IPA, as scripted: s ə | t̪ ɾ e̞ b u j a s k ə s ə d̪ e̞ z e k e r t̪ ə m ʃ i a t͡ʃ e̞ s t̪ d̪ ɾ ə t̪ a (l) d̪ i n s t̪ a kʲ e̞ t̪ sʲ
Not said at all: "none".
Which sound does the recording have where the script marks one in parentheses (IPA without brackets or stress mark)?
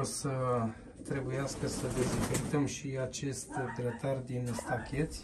r